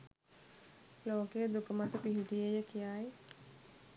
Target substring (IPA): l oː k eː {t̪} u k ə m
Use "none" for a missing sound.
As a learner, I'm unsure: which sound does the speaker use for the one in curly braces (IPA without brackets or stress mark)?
d̪